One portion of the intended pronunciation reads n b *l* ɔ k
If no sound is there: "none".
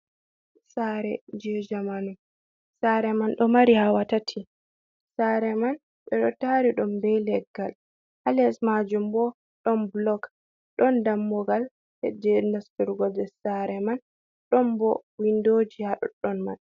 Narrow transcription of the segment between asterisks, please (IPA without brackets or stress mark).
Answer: l